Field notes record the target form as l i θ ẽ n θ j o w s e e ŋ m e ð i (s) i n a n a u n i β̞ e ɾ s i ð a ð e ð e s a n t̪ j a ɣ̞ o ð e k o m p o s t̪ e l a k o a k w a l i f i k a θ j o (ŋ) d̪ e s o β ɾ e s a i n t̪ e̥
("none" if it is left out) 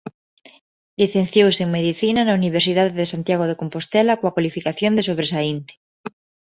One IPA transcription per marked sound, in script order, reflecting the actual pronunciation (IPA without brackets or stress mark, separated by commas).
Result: θ, n